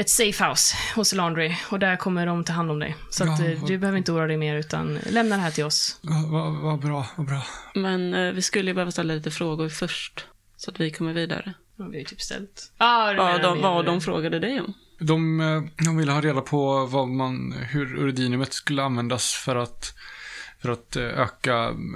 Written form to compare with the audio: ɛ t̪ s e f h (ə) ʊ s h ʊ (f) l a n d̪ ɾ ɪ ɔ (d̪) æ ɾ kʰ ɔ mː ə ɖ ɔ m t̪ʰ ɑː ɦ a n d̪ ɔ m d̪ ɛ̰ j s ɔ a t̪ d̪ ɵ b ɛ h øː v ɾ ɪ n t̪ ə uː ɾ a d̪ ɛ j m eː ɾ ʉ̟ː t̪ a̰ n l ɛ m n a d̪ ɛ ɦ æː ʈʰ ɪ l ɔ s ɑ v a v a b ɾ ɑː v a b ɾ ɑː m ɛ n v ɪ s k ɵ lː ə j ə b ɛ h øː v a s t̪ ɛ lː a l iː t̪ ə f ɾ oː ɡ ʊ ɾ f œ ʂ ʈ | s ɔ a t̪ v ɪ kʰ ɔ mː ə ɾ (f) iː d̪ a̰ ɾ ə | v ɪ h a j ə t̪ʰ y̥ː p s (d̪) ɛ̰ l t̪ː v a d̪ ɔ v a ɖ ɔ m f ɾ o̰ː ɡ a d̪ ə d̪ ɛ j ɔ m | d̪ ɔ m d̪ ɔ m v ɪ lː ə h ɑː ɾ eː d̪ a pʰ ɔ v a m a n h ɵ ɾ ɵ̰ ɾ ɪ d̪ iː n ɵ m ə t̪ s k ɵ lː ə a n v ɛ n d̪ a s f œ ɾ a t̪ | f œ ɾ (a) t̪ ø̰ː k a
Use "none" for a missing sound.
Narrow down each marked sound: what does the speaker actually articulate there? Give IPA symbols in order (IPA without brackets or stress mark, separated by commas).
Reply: a, s, d̪, v, t̪, a